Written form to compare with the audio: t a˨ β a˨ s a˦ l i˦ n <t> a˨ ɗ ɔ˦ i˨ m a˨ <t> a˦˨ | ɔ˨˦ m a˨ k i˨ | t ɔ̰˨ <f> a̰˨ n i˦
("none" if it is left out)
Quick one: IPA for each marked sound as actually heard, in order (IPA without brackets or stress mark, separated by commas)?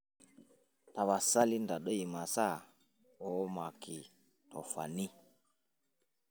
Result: d, s, f